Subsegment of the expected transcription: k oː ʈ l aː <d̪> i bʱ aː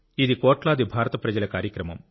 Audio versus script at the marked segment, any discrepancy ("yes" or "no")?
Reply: no